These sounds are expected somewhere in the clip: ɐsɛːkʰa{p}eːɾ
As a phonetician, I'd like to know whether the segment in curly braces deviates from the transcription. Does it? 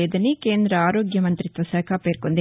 no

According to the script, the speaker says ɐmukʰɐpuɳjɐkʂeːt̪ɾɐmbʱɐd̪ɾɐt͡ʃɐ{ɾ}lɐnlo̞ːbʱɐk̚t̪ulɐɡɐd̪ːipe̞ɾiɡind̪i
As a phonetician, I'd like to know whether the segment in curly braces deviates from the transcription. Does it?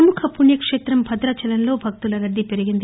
yes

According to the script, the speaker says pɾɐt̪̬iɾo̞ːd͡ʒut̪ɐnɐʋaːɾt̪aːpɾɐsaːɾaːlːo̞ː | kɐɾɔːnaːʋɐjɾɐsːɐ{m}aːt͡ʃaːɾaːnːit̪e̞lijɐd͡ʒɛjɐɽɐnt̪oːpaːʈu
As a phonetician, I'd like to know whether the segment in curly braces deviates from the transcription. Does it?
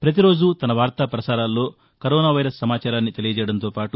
no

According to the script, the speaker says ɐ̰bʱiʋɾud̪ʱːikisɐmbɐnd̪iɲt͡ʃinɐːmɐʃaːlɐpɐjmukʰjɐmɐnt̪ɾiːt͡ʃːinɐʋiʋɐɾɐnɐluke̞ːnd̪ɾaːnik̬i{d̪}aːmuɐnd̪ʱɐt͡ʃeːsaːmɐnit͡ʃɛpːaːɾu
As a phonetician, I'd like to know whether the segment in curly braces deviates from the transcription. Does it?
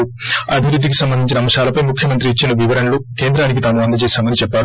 yes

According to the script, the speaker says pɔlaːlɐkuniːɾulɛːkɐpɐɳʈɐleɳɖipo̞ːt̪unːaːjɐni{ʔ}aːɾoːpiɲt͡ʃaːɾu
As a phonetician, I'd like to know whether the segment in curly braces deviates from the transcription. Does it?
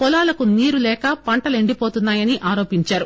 no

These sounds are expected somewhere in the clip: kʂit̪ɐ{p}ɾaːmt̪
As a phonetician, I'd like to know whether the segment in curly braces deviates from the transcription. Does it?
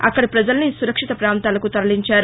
no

